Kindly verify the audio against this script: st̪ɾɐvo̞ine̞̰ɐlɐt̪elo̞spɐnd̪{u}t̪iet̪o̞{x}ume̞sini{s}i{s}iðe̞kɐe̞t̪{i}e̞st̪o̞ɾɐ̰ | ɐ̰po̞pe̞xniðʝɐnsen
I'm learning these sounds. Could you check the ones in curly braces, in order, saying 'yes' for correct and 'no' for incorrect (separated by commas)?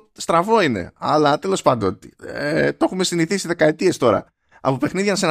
no, yes, no, yes, yes